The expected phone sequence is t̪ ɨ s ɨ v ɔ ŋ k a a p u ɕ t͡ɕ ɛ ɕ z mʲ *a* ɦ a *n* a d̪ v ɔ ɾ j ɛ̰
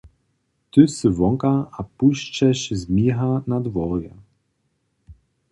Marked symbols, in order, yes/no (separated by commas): no, yes